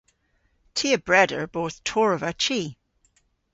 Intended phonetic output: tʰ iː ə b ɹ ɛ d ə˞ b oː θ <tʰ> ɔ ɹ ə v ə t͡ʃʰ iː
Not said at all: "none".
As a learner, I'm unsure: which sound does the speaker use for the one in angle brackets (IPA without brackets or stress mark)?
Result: tʰ